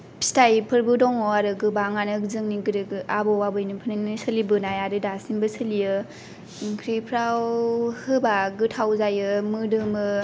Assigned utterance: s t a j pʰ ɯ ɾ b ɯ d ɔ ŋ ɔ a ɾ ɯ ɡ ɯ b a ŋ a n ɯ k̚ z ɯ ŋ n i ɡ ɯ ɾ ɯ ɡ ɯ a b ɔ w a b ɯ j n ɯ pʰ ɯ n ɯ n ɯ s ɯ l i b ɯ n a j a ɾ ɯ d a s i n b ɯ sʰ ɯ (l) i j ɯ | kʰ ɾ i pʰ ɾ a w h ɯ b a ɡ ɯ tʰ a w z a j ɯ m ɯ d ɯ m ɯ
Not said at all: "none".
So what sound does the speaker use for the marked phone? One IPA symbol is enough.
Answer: l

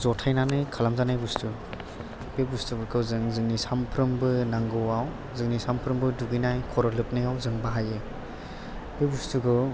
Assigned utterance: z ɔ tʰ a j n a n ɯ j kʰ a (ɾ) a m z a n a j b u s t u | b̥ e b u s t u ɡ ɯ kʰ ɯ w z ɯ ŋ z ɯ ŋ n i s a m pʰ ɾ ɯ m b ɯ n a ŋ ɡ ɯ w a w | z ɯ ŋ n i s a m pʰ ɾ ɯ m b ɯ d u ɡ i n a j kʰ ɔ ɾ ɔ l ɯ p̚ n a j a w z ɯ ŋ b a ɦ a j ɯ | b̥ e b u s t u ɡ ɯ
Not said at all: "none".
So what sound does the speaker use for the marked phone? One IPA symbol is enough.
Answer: l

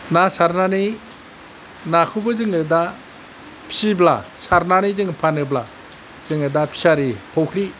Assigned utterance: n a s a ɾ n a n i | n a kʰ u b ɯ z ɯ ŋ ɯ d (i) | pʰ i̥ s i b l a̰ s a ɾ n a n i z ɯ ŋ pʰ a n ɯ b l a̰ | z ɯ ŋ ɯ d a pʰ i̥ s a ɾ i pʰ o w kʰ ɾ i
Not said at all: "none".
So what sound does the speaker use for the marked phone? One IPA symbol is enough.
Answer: a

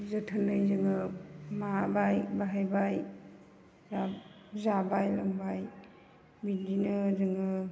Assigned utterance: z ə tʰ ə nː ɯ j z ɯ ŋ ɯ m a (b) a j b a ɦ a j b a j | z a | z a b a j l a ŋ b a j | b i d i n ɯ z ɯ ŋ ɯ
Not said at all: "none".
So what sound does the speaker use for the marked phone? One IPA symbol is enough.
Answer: b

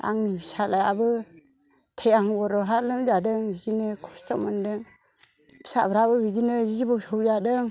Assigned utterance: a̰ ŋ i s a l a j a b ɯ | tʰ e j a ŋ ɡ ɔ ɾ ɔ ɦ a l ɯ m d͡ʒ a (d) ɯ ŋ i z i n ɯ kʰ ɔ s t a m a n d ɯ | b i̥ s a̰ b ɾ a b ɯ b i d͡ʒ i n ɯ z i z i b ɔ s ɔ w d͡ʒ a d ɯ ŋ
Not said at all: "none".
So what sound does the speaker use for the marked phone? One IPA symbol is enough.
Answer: d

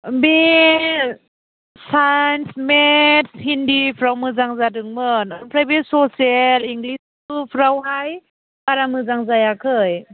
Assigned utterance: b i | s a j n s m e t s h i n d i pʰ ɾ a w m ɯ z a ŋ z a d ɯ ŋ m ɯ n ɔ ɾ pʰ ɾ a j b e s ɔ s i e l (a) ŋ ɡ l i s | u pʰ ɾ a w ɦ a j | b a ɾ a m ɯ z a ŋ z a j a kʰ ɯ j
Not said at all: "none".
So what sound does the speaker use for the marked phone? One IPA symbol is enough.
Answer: i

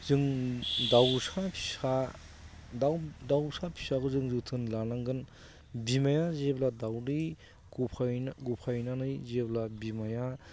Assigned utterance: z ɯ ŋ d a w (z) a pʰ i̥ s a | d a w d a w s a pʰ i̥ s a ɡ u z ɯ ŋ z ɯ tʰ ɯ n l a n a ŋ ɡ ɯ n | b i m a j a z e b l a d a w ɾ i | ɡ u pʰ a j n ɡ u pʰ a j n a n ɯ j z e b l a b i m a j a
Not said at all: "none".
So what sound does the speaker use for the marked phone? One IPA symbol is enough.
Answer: s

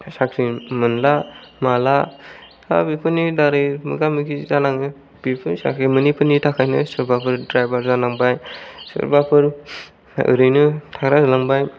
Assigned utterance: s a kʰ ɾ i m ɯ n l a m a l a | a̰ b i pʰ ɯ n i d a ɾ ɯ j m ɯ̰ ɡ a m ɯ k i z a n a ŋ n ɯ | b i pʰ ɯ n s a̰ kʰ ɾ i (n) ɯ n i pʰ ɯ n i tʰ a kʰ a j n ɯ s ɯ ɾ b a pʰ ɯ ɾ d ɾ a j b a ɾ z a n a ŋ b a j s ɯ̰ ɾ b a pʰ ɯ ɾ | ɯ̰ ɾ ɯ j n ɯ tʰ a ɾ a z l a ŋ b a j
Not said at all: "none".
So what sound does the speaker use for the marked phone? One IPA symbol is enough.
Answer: m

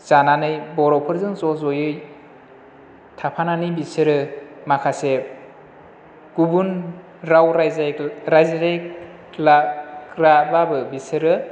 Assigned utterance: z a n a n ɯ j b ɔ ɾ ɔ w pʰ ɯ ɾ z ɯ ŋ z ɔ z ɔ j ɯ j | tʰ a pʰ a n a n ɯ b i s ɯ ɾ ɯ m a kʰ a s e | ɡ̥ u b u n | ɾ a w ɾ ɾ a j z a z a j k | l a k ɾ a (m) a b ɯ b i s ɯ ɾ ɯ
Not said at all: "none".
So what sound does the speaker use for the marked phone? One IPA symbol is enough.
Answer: b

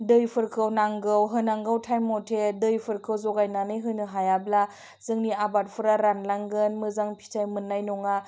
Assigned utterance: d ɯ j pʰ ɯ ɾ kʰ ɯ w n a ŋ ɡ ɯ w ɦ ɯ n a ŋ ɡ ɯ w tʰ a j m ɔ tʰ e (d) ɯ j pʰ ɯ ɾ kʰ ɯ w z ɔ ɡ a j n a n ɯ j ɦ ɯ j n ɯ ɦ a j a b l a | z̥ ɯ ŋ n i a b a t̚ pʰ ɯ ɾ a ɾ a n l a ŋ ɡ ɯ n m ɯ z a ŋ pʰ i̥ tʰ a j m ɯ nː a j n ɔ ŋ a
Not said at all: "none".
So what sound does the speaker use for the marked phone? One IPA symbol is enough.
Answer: d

